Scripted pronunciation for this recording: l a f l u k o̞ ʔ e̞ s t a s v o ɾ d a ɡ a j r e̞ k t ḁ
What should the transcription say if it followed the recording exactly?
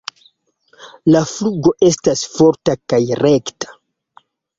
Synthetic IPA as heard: l a f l u ɡ o̞ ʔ e̞ s t a s f o ɾ t a k a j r e̞ k t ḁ